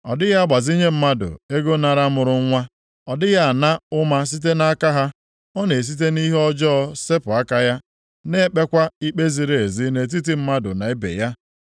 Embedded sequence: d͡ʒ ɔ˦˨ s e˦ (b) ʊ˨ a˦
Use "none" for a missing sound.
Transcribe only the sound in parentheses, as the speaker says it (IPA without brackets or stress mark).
p